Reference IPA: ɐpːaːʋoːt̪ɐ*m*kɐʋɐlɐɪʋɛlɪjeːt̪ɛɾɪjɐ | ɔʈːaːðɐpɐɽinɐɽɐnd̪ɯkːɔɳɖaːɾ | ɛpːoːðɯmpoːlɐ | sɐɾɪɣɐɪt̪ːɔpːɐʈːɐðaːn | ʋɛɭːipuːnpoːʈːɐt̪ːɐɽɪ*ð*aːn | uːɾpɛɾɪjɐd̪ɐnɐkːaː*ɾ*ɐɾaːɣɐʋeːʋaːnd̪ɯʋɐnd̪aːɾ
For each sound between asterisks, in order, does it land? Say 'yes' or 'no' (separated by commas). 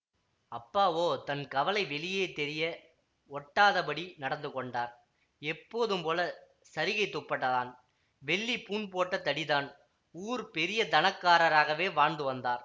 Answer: no, yes, yes